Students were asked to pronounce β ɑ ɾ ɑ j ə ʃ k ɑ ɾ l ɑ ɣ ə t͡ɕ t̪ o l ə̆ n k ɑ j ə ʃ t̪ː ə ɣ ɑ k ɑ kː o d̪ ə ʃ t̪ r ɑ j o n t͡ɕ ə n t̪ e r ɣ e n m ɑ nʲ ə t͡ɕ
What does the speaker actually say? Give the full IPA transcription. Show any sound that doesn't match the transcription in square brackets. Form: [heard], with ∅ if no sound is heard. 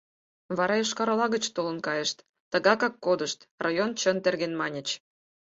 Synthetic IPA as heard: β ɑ ɾ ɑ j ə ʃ k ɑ ɾ l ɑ ɣ ə t͡ɕ t̪ o l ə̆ n k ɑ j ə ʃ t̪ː ə ɣ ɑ k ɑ kː o d̪ ə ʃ t̪ r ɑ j o n t͡ɕ ə n t̪ e r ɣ e n m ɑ nʲ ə t͡ɕ